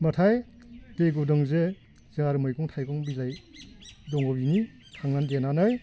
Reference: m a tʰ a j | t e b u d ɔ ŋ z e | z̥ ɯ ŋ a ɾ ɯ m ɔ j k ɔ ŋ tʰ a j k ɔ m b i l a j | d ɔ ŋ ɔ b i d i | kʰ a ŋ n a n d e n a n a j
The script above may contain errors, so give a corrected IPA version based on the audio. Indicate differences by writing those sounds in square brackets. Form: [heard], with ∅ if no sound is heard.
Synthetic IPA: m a tʰ a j | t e [ɡ] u d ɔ ŋ z e | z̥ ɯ ŋ a ɾ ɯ m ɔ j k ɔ ŋ tʰ a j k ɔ [ŋ] b i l a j | d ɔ ŋ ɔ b i [n] i | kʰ a ŋ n a n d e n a n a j